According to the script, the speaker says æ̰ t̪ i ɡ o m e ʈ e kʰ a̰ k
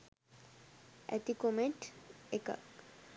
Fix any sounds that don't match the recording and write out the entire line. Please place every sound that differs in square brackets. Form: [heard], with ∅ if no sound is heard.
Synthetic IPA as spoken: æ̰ t̪ i [k] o m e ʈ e [k] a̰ k